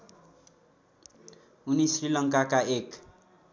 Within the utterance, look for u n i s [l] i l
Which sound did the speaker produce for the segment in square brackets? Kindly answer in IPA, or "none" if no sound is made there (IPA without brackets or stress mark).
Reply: r